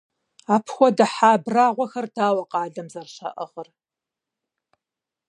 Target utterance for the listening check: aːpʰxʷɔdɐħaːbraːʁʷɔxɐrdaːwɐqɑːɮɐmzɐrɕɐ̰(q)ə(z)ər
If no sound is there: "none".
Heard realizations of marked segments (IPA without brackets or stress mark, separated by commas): ʔ, ʁ